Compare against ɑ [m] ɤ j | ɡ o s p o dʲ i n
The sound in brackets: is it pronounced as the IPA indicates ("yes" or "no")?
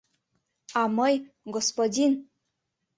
yes